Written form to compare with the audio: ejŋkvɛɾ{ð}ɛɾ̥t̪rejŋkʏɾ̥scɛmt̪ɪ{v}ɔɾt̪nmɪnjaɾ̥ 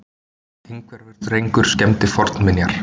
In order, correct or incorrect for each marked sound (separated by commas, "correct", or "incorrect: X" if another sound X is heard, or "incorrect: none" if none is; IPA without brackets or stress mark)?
incorrect: v, incorrect: f